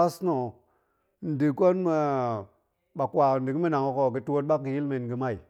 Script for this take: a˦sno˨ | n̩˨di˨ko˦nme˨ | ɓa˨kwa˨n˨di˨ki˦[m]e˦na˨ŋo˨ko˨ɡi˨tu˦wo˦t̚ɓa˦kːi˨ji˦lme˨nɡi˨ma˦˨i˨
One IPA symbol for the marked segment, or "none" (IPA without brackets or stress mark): m